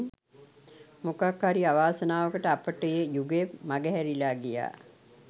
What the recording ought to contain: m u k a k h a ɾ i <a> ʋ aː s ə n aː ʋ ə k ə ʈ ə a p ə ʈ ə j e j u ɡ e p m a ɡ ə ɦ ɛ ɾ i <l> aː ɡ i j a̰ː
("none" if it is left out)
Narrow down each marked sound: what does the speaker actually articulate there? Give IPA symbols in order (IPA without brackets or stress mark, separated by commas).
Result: a, l